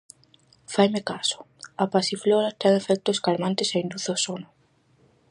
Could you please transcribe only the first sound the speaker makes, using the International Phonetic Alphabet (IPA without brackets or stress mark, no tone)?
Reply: f